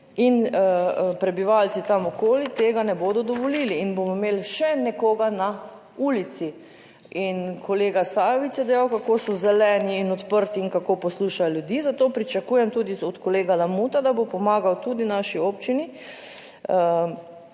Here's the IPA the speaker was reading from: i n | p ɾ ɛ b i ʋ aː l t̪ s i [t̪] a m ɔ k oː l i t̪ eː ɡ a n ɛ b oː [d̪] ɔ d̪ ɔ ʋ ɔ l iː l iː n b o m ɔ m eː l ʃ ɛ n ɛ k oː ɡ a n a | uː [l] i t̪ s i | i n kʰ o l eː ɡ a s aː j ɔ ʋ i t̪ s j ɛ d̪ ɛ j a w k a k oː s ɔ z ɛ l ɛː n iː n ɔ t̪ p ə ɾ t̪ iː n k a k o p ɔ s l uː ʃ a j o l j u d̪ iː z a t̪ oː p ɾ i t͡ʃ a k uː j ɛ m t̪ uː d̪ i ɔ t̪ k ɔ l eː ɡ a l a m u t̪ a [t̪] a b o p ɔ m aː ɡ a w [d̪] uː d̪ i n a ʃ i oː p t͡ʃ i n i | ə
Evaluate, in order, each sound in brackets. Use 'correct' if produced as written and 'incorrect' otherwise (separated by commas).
correct, correct, correct, incorrect, incorrect